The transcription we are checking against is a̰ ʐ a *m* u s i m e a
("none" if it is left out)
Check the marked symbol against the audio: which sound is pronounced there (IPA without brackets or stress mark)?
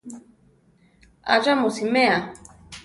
m